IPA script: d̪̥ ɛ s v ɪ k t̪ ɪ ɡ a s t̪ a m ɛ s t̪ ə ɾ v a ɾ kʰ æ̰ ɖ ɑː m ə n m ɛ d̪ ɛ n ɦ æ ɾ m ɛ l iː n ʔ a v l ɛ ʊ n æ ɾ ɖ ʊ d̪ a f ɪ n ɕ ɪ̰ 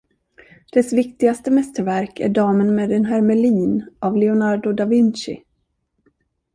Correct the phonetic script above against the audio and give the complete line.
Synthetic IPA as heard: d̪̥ ɛ s v ɪ k t̪ ɪ ɡ a s t̪ ə m ɛ s t̪ ə ɾ v æ ɾ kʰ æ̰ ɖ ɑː m ə n m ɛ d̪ ɛ n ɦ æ ɾ m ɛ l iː n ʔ a v l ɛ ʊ n a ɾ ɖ ʊ d̪ a v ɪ n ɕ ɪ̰